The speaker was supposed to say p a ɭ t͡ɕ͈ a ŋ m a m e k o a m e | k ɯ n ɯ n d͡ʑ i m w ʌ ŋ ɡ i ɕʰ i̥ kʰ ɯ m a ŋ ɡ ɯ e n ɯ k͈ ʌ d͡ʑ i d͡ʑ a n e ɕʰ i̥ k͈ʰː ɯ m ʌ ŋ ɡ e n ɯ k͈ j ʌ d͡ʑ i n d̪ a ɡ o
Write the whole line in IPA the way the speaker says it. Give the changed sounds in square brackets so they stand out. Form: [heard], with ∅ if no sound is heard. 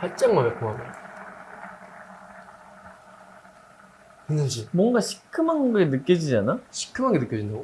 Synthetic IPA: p a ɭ t͡ɕ͈ a ŋ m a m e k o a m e | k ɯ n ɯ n d͡ʑ i m w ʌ ŋ ɡ [a] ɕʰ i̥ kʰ ɯ m a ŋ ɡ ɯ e n ɯ k͈ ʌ d͡ʑ i d͡ʑ a n [a] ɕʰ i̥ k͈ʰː ɯ m [a] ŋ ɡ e n ɯ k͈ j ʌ d͡ʑ i n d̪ a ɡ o